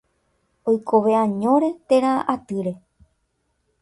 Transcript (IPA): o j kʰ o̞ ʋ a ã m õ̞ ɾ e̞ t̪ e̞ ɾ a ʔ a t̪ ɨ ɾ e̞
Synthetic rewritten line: o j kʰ o̞ ʋ e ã ɲ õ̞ ɾ e̞ t̪ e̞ ɾ a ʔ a t̪ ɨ ɾ e̞